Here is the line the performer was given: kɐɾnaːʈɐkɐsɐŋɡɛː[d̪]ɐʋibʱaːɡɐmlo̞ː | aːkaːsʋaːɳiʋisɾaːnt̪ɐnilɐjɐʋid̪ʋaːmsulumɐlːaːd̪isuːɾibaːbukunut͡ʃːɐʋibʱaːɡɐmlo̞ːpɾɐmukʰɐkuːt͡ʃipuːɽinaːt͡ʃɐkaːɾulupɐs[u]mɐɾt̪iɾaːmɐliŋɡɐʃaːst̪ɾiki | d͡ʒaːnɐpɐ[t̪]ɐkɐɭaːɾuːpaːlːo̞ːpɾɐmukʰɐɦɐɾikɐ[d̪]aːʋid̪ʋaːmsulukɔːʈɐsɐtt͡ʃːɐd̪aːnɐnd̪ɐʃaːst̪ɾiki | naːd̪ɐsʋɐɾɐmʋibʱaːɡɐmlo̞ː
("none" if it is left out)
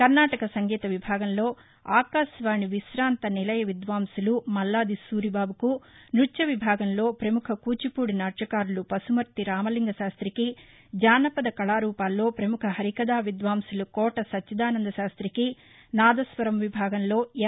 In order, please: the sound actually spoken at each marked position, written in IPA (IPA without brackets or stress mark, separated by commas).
t̪, u, d̪, d̪